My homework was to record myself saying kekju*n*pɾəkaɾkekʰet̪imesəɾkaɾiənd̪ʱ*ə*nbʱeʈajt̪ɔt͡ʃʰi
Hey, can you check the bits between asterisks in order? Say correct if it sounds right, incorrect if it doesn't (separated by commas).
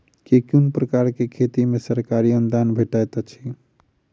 correct, incorrect